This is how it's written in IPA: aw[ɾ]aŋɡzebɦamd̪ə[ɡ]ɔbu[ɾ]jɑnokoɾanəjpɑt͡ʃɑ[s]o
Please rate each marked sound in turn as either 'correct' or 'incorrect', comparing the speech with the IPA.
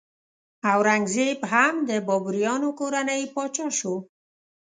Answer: correct, incorrect, correct, incorrect

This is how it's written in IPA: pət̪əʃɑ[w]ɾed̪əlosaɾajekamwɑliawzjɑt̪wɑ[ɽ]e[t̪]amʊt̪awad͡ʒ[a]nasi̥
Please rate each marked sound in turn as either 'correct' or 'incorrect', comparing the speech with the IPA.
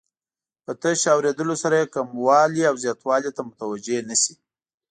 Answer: correct, incorrect, correct, incorrect

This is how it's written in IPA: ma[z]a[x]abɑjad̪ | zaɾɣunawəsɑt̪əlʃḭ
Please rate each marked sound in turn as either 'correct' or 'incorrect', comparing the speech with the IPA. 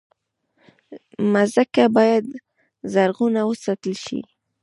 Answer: correct, incorrect

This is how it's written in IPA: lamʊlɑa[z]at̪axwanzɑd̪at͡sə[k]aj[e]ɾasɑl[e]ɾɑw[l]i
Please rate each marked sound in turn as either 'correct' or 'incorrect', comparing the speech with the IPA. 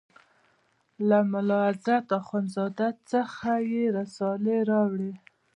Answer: correct, incorrect, correct, correct, incorrect

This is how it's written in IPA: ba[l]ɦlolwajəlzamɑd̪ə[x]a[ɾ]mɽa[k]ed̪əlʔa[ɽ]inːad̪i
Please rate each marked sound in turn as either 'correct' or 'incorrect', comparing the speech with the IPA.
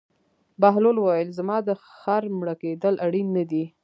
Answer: incorrect, correct, correct, correct, correct

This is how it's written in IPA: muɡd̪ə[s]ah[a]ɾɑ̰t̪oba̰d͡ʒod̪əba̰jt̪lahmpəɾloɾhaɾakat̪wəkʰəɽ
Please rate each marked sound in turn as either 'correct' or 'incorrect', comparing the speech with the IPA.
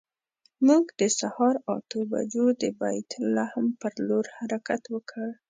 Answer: correct, incorrect

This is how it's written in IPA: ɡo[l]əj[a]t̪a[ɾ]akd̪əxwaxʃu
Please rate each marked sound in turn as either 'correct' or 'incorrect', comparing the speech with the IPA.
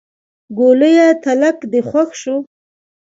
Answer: correct, correct, incorrect

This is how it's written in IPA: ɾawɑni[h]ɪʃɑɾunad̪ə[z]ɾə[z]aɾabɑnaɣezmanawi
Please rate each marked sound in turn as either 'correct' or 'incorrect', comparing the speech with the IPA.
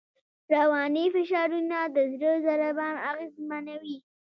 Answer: incorrect, correct, correct

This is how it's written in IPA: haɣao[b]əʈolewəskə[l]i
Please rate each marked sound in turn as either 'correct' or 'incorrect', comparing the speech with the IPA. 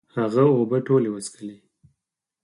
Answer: correct, correct

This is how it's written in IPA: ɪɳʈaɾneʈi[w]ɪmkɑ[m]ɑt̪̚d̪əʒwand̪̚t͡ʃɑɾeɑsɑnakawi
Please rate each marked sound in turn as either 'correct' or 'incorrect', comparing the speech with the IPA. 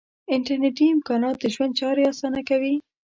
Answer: incorrect, incorrect

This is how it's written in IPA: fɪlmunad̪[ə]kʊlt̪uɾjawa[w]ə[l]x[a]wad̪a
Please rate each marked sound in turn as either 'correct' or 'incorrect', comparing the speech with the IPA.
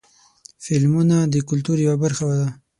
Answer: correct, incorrect, incorrect, correct

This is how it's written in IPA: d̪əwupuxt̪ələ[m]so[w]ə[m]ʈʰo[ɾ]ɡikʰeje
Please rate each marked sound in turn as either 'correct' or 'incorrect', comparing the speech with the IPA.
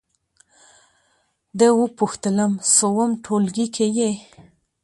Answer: correct, correct, correct, incorrect

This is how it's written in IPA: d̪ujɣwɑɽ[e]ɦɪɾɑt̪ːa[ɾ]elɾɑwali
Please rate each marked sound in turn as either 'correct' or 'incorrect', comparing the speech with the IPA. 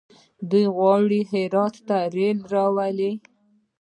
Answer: incorrect, correct

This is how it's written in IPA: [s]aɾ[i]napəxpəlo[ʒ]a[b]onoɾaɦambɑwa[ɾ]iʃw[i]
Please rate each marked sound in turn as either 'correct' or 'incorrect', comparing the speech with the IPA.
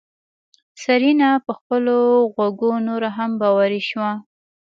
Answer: correct, correct, incorrect, incorrect, correct, incorrect

